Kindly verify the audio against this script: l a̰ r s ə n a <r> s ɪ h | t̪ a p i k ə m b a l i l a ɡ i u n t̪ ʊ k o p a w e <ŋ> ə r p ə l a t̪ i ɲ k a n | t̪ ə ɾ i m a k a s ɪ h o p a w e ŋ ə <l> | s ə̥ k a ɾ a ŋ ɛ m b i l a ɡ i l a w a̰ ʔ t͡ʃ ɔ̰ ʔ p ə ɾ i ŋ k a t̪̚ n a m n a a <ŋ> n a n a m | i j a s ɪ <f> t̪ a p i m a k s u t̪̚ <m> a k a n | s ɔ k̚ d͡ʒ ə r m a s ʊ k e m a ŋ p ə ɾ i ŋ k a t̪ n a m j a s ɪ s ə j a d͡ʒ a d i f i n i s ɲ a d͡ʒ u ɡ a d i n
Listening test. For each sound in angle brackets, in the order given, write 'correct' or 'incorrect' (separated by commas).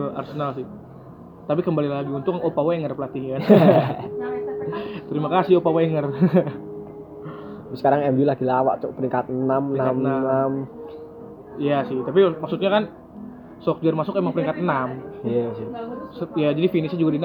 incorrect, correct, incorrect, incorrect, incorrect, incorrect